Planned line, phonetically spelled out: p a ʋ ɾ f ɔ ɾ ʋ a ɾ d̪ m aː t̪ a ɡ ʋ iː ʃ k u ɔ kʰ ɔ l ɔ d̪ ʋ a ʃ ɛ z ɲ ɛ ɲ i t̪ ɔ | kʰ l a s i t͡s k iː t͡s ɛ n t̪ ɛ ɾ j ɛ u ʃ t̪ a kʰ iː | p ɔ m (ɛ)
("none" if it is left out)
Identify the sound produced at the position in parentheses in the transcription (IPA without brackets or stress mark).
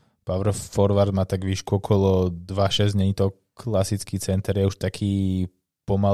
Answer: a